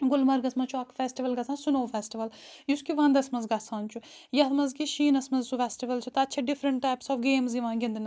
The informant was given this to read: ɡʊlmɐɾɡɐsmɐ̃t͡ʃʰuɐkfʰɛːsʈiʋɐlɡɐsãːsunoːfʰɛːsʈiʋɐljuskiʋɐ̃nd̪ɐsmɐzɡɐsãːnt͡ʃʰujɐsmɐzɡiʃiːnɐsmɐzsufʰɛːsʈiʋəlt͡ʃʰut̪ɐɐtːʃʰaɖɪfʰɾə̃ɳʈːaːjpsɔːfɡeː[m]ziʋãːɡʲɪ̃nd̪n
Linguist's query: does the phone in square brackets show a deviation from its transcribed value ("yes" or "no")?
no